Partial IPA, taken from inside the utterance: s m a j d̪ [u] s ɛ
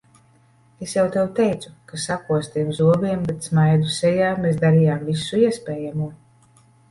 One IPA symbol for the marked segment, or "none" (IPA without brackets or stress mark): u